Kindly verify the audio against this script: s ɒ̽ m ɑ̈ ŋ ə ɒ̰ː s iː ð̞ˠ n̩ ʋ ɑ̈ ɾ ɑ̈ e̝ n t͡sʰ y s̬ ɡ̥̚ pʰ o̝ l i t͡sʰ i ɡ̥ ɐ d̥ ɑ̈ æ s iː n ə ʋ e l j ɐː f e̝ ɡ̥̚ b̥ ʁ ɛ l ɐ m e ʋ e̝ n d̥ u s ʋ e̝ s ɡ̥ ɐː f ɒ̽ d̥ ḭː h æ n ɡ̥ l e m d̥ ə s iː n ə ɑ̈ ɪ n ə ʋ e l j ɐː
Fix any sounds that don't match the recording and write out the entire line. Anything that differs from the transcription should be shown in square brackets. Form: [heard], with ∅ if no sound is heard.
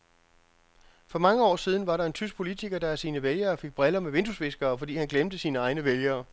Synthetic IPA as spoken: [f] ɒ̽ m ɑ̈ ŋ ə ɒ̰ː s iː ð̞ˠ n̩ ʋ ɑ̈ ɾ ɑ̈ e̝ n t͡sʰ y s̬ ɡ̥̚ pʰ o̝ l i t͡sʰ i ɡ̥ ɐ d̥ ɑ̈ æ s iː n ə ʋ e l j ɐː f e̝ ɡ̥̚ b̥ ʁ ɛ l ɐ m e ʋ e̝ n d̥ u s ʋ e̝ s ɡ̥ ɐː f ɒ̽ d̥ ḭː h æ n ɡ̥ l e m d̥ ə s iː n ə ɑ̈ ɪ n ə ʋ e l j ɐː